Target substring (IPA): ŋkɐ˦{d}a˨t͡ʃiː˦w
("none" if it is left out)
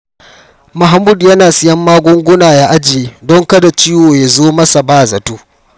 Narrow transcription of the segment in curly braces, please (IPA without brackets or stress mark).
d